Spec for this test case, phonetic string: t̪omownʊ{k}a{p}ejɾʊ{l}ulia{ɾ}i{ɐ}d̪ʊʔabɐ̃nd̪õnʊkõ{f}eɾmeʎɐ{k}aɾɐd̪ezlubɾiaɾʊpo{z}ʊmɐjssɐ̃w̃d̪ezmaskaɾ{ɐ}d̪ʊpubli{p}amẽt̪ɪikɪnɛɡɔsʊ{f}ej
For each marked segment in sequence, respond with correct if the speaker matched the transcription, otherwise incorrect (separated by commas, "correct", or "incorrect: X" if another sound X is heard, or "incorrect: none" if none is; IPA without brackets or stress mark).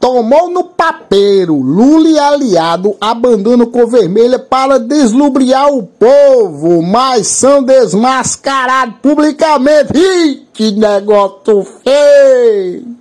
incorrect: p, correct, correct, incorrect: l, incorrect: a, incorrect: v, incorrect: p, incorrect: v, incorrect: a, incorrect: k, correct